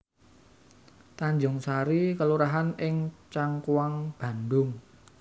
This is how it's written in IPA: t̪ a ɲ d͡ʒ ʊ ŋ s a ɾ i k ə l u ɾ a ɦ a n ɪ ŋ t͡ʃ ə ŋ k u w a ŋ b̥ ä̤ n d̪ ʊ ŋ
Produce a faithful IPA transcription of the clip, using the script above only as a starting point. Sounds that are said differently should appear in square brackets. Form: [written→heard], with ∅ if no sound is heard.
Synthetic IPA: t̪ a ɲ d͡ʒ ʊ ŋ s a ɾ i k ə l u ɾ a ɦ a n ɪ ŋ t͡ʃ [ə→a] ŋ k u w a ŋ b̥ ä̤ n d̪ ʊ ŋ